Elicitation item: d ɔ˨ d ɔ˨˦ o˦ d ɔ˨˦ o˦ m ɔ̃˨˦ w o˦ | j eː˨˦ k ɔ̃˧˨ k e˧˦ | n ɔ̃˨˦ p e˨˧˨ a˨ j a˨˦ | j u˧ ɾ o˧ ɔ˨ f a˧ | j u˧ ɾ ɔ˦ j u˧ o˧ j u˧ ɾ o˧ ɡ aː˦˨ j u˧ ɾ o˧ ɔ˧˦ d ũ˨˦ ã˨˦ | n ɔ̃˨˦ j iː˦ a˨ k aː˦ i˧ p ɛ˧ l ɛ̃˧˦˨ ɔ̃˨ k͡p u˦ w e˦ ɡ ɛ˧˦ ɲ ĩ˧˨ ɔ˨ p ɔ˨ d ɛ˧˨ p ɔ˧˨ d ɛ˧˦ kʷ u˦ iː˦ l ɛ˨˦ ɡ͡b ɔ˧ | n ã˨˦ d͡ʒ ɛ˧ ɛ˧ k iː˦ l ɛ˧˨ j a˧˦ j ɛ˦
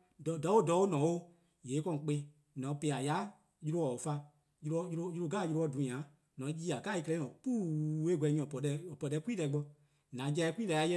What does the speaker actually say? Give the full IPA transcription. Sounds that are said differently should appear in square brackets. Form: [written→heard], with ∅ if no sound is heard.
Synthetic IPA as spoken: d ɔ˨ d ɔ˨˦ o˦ d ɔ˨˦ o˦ [m→n] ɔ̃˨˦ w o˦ | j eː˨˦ k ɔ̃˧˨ [k→k͡p] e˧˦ | n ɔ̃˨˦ p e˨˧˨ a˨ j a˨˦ | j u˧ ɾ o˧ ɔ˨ f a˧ | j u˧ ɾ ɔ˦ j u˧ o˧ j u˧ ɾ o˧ ɡ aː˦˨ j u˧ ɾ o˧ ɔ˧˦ d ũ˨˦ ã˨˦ | n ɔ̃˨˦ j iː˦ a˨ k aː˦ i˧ [p→k] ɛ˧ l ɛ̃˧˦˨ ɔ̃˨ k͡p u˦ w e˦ ɡ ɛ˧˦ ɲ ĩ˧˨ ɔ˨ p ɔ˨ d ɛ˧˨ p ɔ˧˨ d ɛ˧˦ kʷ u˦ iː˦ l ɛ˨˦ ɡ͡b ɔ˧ | n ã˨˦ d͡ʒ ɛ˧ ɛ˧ k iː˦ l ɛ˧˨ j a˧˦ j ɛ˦

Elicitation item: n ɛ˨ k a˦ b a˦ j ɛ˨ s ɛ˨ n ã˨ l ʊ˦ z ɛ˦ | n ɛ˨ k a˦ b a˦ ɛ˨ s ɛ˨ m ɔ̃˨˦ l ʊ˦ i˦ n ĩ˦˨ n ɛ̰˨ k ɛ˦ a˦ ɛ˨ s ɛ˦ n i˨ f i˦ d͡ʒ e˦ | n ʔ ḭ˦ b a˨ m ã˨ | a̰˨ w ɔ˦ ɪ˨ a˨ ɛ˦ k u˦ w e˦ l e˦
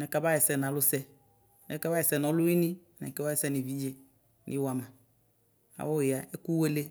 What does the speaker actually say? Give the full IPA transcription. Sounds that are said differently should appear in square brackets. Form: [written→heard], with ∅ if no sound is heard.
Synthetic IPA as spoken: n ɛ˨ k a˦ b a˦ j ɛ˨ s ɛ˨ n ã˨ l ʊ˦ [z→s] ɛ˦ | n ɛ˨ k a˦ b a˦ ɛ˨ s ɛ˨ [m→n] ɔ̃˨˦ l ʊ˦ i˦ n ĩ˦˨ n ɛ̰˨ k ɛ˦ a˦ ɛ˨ s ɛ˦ n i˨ [f→v] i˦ d͡ʒ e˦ | n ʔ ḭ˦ [b→w] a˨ m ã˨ | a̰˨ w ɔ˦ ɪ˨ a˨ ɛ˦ k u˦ w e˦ l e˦

